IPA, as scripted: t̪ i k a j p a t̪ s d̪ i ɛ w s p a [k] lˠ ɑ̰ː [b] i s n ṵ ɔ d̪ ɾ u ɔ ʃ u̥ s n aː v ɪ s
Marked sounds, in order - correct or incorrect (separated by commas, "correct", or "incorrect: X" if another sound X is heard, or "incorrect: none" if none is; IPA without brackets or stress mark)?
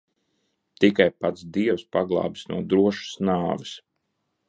incorrect: ɡ, correct